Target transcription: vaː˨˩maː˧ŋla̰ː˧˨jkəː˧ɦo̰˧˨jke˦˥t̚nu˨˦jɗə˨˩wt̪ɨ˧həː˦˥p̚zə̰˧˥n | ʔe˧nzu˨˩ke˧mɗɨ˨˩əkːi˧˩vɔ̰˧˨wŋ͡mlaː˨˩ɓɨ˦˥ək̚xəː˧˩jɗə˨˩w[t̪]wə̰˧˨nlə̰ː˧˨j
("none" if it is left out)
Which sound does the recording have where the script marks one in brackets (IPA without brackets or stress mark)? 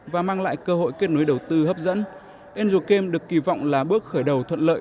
t̪ʰ